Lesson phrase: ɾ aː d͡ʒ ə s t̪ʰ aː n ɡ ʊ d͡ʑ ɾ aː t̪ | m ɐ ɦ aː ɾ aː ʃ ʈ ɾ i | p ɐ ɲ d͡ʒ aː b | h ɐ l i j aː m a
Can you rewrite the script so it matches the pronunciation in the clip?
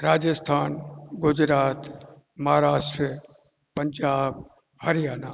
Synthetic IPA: ɾ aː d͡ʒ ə s t̪ʰ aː n ɡ ʊ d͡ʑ ɾ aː t̪ | m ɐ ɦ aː ɾ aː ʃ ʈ ɾ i | p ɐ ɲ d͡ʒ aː b | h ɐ ɾ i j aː n a